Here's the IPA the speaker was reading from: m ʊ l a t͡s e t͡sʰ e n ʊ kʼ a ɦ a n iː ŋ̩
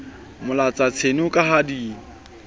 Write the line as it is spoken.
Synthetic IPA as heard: m ʊ l a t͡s a t͡sʰ e n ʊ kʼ a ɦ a d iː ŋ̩